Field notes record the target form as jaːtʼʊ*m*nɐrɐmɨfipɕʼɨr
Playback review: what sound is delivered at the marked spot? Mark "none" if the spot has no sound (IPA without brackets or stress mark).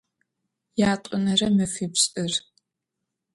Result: none